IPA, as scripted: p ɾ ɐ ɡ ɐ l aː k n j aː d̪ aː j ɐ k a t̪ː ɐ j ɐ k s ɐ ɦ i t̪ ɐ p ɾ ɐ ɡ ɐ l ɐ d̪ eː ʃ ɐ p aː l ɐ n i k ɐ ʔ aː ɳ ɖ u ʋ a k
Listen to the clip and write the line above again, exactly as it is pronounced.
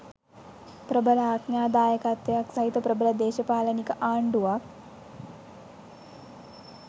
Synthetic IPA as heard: p ɾ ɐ b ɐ l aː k n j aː d̪ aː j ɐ k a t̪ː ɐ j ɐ k s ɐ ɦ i t̪ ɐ p ɾ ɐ b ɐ l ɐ d̪ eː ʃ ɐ p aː l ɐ n i k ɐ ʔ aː ɳ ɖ u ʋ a k